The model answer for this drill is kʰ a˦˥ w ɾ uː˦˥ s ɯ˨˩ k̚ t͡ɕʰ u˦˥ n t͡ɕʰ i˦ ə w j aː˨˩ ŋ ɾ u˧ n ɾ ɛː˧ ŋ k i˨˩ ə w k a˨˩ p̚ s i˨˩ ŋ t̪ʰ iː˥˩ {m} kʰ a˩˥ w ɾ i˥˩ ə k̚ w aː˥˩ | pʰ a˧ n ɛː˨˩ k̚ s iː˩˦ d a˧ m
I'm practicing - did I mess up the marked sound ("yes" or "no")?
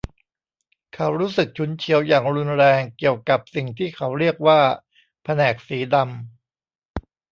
yes